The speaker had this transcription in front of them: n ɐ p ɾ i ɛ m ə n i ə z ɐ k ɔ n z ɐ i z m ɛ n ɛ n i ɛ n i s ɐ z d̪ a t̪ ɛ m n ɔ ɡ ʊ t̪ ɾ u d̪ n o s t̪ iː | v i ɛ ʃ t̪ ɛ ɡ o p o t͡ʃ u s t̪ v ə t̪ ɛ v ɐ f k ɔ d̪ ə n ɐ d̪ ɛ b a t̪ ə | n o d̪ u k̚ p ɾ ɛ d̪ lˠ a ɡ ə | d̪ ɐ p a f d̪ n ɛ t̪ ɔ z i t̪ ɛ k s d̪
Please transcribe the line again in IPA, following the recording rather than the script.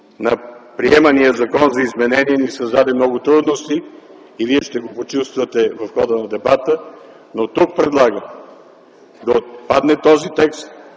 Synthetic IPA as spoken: n ɐ p ɾ i ɛ m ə n i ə z ɐ k ɔ n z ɐ i z m ɛ n ɛ n i ɛ n i s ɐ z d̪ a d̪ ɛ m n ɔ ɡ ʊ t̪ ɾ u d̪ n o s t̪ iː | v i ɛ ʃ t̪ ɛ ɡ o p o t͡ʃ u s t̪ v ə t̪ ɛ v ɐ f x ɔ d̪ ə n ɐ d̪ ɛ b a t̪ ə | n o t̪ u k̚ p ɾ ɛ d̪ lˠ a ɡ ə | d̪ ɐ p a d̪ n ɛ t̪ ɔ z i t̪ ɛ k s t̪